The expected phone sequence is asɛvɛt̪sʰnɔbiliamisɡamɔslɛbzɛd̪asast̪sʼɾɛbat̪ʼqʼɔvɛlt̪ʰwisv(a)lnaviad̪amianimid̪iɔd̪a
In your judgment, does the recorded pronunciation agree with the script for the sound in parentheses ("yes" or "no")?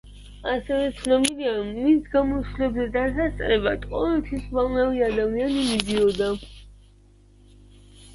yes